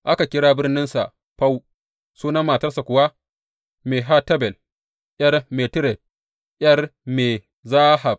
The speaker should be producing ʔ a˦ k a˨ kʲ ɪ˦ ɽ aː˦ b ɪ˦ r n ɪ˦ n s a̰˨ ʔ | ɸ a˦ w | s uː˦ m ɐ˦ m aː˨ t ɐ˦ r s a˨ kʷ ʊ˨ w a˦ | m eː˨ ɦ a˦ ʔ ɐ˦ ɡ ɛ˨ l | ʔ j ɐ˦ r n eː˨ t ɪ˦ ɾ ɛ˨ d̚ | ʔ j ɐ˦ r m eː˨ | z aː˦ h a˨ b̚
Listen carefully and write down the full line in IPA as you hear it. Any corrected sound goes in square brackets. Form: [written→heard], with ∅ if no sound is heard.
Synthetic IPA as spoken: ʔ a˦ k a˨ kʲ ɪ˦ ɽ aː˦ b ɪ˦ r n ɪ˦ n s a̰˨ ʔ | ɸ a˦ w | s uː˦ [m→n] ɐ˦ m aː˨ t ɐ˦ r s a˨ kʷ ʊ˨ w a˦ | m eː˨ ɦ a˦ [ʔ→t] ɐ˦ [ɡ→b] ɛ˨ l | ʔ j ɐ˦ r [n→m] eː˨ t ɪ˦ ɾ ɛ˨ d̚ | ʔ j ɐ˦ r m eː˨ | z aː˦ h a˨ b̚